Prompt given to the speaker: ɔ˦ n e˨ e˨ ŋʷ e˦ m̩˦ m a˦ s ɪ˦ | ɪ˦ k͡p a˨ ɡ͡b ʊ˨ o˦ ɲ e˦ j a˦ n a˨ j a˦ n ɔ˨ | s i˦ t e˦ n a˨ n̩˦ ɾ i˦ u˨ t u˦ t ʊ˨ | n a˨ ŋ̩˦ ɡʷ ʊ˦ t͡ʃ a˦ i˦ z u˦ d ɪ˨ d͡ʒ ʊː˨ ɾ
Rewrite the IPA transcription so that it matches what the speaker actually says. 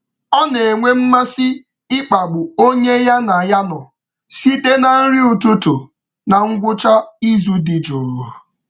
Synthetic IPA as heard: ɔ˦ n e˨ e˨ ŋʷ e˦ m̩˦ m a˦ s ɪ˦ | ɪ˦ k͡p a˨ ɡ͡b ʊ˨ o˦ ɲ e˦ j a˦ n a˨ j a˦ n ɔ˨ | s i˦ t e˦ n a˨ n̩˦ ɾ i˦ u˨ t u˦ t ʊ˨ | n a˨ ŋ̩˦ ɡʷ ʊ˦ t͡ʃ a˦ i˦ z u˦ d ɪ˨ d͡ʒ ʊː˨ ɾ

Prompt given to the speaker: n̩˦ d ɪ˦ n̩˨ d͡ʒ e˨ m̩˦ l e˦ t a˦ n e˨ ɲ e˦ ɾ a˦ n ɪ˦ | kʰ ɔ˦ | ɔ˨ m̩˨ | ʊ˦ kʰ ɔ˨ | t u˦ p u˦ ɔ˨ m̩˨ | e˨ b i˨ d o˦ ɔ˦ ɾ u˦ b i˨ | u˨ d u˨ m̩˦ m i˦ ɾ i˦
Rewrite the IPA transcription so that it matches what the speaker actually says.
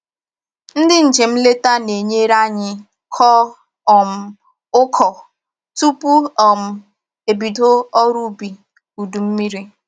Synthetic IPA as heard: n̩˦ d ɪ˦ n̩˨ d͡ʒ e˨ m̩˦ l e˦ t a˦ n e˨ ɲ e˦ ɾ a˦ ɲ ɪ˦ | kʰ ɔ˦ | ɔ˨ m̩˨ | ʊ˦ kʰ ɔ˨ | t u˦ p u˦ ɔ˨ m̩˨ | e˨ b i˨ d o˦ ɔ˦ ɾ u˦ b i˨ | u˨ d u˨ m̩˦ m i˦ ɾ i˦

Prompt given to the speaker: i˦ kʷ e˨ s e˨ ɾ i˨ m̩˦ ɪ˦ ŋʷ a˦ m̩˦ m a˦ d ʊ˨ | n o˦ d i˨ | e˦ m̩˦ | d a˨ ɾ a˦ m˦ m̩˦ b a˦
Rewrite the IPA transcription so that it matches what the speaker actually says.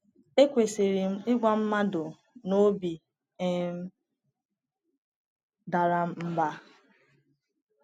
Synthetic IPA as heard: e˦ kʷ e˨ s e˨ ɾ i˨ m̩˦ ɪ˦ ɡʷ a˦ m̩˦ m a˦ d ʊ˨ | n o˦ b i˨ | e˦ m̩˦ | d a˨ ɾ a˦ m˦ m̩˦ b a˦

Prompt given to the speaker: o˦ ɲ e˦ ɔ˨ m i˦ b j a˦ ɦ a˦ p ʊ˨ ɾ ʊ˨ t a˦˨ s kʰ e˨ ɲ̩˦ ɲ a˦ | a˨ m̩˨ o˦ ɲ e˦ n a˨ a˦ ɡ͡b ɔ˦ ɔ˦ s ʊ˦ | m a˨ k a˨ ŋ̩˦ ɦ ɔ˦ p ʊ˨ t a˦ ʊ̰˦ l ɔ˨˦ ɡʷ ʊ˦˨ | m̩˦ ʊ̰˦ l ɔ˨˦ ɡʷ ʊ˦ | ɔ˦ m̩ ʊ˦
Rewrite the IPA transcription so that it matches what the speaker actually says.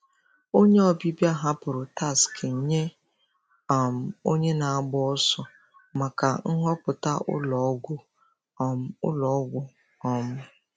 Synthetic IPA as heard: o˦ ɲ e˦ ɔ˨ b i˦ b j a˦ ɦ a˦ p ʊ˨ ɾ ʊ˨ t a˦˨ s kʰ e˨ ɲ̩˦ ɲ e˦ | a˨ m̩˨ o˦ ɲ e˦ n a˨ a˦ ɡ͡b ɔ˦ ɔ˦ s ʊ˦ | m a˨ k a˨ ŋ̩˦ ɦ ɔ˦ p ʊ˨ t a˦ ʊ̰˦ l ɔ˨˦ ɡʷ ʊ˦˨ | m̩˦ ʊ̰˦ l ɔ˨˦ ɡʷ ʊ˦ | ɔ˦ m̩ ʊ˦

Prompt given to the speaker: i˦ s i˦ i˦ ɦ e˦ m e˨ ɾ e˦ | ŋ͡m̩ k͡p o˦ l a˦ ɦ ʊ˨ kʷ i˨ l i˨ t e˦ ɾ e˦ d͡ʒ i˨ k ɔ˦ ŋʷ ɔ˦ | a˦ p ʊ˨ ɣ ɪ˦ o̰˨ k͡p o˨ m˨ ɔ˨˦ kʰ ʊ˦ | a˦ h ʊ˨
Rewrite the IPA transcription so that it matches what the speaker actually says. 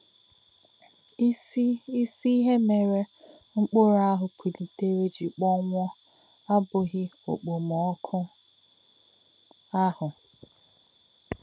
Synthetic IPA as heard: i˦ s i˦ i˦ ɦ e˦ m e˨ ɾ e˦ | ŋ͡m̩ k͡p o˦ ɾ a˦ ɦ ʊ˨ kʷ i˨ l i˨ t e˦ ɾ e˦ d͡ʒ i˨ k͡p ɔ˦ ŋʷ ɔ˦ | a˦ b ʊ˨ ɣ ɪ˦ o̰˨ k͡p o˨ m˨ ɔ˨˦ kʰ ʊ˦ | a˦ h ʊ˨

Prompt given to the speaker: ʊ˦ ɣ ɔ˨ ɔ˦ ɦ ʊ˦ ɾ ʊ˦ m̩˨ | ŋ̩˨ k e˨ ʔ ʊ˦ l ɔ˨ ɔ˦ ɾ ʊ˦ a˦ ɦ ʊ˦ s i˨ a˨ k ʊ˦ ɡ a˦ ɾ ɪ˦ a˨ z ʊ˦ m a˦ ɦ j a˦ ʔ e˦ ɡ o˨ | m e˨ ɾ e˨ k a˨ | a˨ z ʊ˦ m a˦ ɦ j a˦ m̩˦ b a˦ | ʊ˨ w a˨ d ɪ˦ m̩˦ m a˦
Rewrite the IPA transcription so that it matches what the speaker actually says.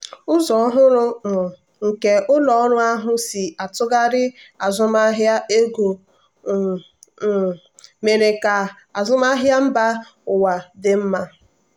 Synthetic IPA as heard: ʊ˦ z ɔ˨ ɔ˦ ɦ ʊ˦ ɾ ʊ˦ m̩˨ | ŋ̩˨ k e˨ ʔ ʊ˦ l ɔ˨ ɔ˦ ɾ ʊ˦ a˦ ɦ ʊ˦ s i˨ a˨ t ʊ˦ ɡ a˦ ɾ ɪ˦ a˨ z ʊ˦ m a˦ ɦ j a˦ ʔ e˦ ɡ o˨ | m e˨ ɾ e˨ k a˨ | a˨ z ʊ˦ m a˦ ɦ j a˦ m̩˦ b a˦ | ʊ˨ w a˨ d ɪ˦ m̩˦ m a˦

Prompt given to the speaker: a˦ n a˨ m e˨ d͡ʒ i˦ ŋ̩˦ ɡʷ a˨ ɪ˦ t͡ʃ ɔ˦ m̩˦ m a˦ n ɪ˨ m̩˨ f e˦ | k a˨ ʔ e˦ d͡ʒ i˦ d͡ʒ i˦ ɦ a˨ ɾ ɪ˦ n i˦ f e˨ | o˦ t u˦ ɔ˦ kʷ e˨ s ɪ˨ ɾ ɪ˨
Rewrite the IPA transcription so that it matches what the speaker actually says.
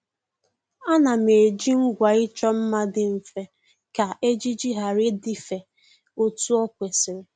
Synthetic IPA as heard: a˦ n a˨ m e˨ d͡ʒ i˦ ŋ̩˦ ɡʷ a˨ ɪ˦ t͡ʃ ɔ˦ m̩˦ m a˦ d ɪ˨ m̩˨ f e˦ | k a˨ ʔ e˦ d͡ʒ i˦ d͡ʒ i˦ ɦ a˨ ɾ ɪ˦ d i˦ f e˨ | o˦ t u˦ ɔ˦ kʷ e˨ s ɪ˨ ɾ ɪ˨

